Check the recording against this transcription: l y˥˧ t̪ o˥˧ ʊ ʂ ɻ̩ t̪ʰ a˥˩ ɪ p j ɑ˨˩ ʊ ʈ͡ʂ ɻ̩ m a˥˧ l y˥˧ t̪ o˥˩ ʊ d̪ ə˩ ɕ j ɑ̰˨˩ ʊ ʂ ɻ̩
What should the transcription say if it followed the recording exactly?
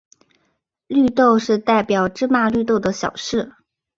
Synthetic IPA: l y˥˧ t̪ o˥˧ ʊ ʂ ɻ̩ t̪ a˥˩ ɪ p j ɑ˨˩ ʊ ʈ͡ʂ ɻ̩ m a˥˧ l y˥˧ t̪ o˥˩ ʊ d̪ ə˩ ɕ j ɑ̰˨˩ ʊ ʂ ɻ̩